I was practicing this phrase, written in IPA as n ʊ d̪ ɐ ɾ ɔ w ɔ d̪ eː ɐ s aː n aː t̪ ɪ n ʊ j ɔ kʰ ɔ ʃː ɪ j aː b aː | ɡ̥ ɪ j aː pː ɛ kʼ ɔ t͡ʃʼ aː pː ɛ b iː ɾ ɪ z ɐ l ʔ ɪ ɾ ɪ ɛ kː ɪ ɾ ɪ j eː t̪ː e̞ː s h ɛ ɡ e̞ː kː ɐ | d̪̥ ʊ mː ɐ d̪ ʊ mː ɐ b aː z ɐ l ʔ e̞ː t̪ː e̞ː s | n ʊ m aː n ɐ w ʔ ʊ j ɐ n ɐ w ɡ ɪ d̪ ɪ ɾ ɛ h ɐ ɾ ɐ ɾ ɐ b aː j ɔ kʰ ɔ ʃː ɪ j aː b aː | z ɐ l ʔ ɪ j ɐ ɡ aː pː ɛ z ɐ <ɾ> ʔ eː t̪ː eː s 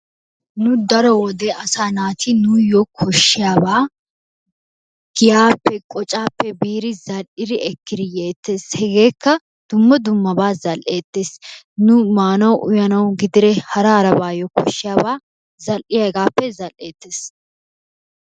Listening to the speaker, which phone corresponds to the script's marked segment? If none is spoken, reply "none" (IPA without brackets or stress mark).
l